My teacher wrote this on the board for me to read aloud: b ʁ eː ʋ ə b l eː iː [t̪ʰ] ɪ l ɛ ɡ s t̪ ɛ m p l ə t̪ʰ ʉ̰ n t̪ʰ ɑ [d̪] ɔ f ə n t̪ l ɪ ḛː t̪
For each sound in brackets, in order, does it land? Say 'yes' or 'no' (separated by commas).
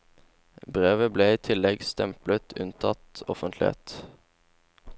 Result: yes, no